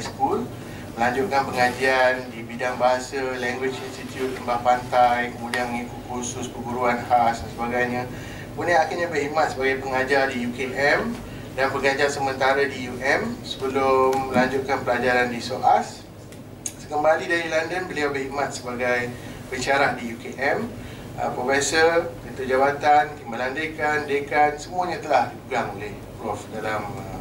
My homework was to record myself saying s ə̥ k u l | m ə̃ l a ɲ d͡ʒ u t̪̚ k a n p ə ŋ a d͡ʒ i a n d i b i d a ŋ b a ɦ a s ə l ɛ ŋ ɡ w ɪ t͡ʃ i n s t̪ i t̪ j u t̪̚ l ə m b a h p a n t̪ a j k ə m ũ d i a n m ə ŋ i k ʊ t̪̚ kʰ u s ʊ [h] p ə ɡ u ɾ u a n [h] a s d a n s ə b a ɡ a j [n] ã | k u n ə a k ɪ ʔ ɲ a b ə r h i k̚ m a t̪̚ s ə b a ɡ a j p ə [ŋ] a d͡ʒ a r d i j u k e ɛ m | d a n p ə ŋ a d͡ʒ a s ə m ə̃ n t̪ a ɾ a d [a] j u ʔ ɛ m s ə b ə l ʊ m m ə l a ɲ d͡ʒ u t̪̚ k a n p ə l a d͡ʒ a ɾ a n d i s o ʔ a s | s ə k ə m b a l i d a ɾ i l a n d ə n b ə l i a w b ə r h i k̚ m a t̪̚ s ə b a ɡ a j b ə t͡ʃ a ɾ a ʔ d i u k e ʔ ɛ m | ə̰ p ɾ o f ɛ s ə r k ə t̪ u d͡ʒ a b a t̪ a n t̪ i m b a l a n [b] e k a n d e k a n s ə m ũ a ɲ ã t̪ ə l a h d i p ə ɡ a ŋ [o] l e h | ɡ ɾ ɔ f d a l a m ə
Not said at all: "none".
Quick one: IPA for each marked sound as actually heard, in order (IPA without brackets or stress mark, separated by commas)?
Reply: s, h, ɲ, ŋ, i, d, o